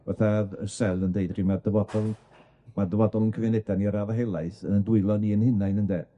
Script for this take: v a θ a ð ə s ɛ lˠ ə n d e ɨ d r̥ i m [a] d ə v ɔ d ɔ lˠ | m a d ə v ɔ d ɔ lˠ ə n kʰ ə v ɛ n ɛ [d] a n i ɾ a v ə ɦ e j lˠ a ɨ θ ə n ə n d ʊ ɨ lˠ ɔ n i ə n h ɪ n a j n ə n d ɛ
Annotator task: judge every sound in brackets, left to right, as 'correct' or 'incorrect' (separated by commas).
correct, correct